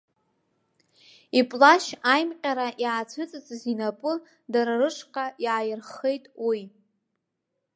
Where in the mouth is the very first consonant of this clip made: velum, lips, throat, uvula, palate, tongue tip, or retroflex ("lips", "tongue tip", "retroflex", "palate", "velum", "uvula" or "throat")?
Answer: lips